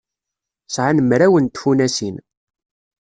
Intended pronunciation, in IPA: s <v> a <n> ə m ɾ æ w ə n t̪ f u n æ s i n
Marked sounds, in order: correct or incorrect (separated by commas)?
incorrect, correct